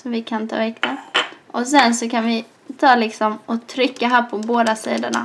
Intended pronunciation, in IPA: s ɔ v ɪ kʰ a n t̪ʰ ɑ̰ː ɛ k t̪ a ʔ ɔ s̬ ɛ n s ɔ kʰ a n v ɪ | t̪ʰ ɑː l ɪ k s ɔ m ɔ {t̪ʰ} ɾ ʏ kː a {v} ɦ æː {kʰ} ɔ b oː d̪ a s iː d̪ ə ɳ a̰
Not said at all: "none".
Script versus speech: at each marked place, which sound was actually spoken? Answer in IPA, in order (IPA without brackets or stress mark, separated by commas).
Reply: t̪ʰ, none, pʰ